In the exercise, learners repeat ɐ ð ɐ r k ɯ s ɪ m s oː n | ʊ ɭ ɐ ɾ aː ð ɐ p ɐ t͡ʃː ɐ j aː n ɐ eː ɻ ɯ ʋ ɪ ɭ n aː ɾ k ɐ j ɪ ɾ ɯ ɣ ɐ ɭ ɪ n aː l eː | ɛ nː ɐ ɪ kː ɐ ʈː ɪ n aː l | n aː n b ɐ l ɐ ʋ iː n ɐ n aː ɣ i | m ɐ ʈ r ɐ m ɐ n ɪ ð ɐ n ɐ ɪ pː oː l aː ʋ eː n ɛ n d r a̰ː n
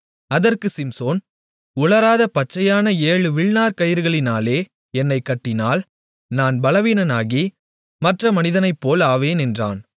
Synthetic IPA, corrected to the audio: ɐ ð ɐ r k ɯ s ɪ m s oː n | ʊ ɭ ɐ ɾ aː ð ɐ p ɐ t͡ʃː ɐ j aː n ɐ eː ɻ ɯ ʋ ɪ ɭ n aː ɾ k ɐ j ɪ ɾ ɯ ɣ ɐ ɭ ɪ n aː l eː | ɛ nː ɐ ɪ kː ɐ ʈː ɪ n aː l | n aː n b ɐ l ɐ ʋ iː n ɐ n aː ɣ i | m ɐ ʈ r ɐ m ɐ n ɪ ð ɐ n ɐ ɪ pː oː l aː ʋ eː n ɛ n d r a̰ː n